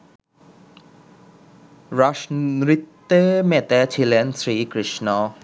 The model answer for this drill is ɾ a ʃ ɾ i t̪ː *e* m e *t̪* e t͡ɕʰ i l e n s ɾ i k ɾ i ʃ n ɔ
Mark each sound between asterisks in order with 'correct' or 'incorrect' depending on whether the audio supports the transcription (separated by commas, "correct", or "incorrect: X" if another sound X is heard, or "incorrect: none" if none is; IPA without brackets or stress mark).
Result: correct, correct